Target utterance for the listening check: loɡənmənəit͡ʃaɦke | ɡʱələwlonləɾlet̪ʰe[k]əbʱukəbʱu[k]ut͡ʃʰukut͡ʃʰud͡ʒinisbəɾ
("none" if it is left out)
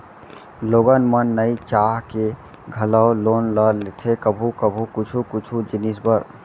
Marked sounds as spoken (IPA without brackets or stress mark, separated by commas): k, k